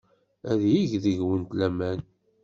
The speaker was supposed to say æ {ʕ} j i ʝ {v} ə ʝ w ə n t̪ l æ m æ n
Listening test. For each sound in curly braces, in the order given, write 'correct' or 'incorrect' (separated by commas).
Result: incorrect, incorrect